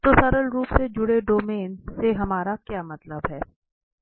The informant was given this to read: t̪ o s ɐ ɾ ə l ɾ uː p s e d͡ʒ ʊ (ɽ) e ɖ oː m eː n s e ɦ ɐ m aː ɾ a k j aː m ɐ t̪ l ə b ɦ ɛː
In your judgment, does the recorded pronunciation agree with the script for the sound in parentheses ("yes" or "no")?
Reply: yes